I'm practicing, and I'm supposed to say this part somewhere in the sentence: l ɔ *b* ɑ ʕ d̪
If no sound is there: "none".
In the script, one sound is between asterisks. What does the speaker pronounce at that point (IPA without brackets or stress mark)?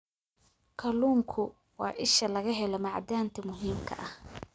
m